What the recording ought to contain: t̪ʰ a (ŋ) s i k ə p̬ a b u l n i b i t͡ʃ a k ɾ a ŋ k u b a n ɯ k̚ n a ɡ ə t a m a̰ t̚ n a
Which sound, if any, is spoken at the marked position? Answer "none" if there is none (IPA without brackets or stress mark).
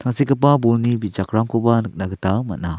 ŋ